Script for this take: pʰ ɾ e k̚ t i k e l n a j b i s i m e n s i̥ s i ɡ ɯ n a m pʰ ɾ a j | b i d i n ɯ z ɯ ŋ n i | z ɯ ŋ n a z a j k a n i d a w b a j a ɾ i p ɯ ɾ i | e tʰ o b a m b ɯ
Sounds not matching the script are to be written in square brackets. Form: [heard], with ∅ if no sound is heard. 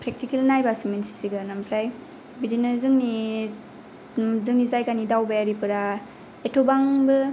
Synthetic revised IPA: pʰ ɾ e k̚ t i k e l n a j b [a] s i m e n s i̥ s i ɡ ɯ n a m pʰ ɾ a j | b i d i n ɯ z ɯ ŋ n i | z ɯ ŋ n [i] z a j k a n i d a w b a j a ɾ i p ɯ ɾ [a] | e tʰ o b a [ŋ] b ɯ